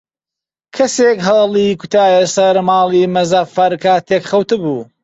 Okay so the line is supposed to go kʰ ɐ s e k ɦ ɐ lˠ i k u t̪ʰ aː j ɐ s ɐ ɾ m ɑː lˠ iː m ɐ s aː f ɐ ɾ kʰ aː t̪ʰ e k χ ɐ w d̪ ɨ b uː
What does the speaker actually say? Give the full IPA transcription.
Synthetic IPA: kʰ ɐ s e k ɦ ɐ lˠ i k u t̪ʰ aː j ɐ s ɐ ɾ m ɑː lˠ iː m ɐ z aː f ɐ ɾ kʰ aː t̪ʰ e k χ ɐ w t̪ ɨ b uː